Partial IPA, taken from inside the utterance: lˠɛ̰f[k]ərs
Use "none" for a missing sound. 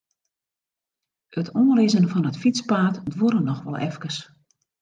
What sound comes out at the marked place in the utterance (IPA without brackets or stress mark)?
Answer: k